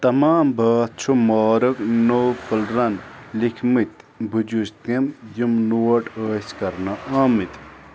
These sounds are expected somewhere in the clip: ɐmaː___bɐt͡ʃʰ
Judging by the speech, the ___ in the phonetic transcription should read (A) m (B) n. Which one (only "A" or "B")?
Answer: A